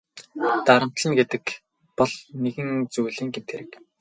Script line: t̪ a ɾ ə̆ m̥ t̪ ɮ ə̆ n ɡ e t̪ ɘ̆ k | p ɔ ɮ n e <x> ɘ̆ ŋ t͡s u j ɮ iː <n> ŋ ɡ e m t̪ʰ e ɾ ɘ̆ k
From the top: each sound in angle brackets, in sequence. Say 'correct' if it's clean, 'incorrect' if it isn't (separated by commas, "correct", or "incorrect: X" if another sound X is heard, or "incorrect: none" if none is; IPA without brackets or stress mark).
incorrect: ɣ, incorrect: none